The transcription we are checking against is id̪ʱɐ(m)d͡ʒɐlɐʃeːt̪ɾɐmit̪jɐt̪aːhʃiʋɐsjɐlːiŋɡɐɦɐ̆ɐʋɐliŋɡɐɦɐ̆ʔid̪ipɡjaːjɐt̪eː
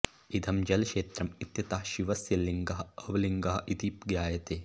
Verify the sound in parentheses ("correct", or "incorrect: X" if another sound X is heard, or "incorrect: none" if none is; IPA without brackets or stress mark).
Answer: correct